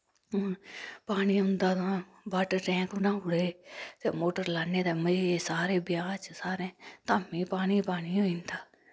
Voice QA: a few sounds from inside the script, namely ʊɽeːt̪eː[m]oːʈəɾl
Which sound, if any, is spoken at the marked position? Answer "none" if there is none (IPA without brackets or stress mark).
m